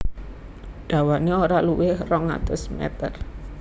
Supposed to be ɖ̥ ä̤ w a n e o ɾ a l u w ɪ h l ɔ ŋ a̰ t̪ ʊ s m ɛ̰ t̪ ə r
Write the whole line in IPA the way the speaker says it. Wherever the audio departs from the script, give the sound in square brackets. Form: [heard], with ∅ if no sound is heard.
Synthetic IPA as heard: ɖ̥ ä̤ w a n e o ɾ a l u w ɪ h [r] ɔ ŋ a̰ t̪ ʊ s m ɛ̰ t̪ ə r